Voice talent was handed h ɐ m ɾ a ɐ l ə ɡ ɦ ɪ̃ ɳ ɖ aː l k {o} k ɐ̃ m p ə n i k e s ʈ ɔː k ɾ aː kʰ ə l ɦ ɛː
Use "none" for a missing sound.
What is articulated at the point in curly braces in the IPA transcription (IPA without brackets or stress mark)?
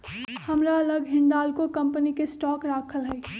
o